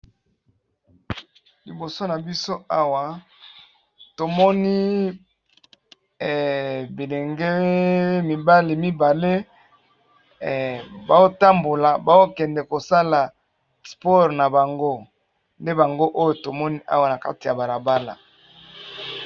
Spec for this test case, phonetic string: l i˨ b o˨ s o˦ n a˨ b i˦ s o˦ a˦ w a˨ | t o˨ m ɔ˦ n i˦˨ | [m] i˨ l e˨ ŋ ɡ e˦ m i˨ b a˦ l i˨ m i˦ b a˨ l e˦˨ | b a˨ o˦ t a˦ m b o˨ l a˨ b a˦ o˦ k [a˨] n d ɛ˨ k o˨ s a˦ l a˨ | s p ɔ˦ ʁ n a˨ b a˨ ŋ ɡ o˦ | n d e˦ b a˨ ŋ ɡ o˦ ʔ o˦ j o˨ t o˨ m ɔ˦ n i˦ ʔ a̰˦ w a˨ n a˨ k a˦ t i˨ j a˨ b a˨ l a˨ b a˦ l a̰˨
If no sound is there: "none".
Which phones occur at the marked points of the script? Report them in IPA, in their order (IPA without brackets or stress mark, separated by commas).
b, ɛ˨